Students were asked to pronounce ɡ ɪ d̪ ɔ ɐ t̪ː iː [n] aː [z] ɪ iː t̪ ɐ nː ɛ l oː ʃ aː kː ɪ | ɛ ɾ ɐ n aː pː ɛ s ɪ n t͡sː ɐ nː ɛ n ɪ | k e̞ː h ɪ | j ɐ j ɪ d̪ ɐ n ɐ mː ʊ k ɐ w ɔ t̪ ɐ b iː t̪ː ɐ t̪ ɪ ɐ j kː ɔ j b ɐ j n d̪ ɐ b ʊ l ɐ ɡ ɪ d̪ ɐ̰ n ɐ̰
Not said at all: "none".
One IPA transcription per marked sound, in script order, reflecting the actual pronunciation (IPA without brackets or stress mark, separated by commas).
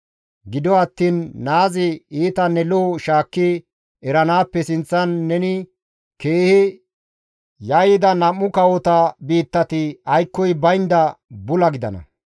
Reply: nː, z